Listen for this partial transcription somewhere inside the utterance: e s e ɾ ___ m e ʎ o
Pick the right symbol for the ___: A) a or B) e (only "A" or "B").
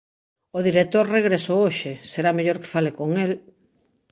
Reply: A